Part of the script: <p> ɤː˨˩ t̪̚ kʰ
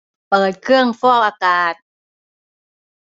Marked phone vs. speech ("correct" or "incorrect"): correct